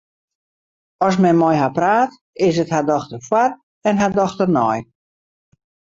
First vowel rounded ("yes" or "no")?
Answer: yes